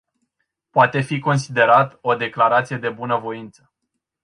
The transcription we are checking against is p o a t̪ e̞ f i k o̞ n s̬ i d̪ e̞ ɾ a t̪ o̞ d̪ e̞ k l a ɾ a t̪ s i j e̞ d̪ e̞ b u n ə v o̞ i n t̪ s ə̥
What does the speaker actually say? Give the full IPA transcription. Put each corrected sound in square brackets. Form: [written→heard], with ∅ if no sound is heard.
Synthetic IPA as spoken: p o a t̪ e̞ f i k o̞ n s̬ i d̪ e̞ ɾ a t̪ o̞ d̪ e̞ k l a ɾ a t̪ s i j e̞ d̪ e̞ b u n ə v o̞ i n t̪ s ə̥